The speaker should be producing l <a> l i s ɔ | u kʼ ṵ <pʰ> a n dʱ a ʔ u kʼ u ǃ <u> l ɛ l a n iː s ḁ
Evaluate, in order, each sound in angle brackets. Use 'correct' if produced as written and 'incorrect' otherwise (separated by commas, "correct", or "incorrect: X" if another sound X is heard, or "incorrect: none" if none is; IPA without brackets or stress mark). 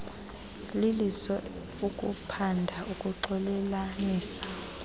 incorrect: i, correct, incorrect: ɔ